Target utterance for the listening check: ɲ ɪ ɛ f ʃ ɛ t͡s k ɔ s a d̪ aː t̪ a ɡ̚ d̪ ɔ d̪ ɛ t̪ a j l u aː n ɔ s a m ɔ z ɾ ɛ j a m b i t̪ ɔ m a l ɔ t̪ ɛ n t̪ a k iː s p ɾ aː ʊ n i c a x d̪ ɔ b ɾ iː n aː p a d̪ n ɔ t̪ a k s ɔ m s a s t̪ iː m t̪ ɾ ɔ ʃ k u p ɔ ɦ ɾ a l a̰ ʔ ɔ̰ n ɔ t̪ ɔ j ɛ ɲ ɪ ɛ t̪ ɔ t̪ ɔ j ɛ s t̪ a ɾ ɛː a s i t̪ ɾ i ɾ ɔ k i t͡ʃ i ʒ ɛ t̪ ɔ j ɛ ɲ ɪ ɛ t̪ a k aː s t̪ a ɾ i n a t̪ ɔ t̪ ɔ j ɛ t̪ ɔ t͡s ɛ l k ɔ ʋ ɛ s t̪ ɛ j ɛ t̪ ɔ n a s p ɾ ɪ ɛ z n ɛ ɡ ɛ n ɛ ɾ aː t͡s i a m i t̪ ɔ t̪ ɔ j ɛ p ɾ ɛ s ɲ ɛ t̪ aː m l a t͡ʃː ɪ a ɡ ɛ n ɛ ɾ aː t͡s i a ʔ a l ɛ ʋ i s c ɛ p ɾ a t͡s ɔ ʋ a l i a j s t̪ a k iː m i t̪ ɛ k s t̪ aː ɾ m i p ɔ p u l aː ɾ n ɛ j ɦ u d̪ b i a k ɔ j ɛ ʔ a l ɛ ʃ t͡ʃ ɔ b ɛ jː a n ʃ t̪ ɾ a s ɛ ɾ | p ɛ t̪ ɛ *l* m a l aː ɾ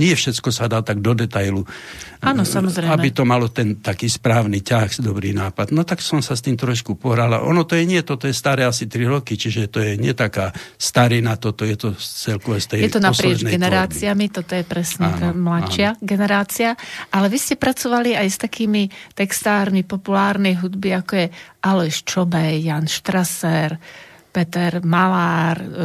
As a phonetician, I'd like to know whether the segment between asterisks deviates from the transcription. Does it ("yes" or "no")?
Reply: yes